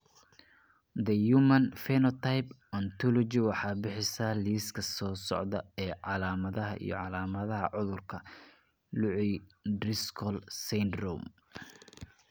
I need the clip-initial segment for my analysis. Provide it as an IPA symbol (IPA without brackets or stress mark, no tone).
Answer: d̪